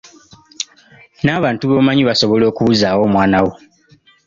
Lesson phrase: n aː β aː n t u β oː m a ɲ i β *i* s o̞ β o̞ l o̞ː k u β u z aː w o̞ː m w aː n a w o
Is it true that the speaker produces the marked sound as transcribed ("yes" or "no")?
no